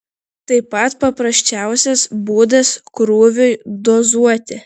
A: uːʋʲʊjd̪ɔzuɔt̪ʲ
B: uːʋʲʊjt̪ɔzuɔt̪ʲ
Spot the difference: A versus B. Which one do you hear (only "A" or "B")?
A